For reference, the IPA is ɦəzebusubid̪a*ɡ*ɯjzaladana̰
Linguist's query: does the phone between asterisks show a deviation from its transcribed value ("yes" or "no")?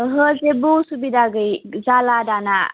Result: no